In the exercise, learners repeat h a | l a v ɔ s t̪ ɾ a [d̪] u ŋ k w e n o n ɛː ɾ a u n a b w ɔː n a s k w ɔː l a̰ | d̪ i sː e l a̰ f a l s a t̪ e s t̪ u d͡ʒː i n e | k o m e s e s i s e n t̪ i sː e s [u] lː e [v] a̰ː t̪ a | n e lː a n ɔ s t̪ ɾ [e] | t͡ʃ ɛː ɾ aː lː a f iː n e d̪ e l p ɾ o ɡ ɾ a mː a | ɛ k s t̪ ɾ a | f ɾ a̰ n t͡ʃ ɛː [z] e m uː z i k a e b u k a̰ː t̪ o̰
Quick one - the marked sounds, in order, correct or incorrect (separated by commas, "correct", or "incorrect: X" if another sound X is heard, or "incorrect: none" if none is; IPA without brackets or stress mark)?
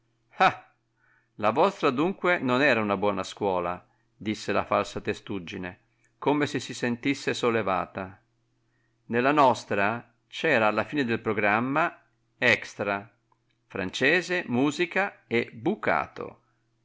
correct, incorrect: o, correct, incorrect: a, correct